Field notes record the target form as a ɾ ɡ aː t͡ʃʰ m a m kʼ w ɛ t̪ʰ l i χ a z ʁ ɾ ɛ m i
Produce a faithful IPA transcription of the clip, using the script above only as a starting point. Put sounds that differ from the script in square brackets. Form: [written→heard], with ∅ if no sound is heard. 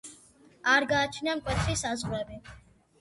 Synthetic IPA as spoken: a ɾ ɡ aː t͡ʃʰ [m→n] a m kʼ w ɛ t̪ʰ [l→ɾ] i [χ→s] a z ʁ ɾ ɛ [m→b] i